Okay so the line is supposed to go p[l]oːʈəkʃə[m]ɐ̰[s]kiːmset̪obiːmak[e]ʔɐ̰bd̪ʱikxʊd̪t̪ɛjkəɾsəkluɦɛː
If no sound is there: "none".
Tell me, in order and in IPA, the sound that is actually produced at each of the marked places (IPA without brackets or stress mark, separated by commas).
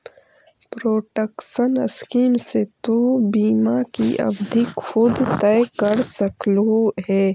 ɾ, n, s, i